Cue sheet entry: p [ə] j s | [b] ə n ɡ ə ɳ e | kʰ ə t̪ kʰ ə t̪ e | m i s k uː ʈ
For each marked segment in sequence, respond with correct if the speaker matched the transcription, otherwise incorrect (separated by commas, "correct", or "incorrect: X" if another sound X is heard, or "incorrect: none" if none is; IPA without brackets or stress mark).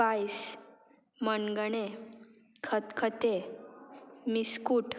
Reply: incorrect: a, incorrect: m